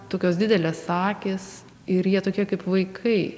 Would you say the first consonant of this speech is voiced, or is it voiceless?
voiceless